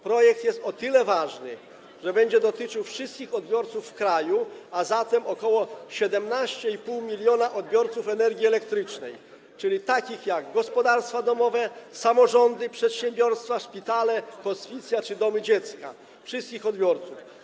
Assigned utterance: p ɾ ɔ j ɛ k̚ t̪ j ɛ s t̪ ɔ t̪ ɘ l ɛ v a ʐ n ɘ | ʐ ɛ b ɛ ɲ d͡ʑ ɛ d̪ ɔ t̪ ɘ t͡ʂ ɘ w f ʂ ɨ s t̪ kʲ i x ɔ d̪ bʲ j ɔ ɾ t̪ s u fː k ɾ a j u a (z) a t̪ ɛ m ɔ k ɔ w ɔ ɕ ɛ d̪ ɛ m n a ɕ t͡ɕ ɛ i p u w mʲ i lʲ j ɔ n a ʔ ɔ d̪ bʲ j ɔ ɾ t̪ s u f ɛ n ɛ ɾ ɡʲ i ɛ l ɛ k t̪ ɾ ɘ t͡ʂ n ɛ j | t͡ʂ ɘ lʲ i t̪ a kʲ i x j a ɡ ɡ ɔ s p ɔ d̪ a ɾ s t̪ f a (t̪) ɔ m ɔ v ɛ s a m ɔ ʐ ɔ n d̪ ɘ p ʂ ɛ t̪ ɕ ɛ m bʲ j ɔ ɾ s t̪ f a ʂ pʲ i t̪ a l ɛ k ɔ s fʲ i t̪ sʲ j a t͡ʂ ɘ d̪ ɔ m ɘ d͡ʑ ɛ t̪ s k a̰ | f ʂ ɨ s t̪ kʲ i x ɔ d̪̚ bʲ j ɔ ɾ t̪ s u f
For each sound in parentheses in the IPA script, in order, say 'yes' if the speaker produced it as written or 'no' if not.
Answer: yes, no

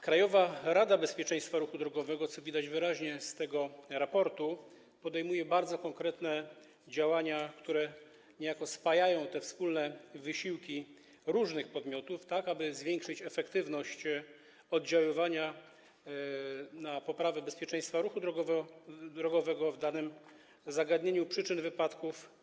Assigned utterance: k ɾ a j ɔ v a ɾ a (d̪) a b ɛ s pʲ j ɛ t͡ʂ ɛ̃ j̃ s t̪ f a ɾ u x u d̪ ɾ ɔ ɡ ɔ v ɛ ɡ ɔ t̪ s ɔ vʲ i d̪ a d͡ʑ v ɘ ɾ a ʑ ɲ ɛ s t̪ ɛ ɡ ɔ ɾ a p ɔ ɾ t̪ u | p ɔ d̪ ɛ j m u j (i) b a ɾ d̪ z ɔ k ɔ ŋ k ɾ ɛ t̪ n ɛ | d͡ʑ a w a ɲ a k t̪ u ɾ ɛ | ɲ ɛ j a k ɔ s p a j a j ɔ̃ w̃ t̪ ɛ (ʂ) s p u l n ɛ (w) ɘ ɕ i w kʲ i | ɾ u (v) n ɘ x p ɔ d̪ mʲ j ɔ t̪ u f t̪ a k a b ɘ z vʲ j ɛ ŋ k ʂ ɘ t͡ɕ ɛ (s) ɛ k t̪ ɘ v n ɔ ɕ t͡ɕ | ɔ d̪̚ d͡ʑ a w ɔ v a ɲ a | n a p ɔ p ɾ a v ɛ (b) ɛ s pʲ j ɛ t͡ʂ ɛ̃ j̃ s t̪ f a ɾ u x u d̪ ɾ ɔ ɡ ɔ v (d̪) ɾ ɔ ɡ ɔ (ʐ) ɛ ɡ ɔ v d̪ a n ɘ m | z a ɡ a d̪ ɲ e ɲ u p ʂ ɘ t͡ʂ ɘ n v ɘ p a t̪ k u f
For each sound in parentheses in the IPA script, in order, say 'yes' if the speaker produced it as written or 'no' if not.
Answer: yes, no, no, no, no, no, yes, yes, no

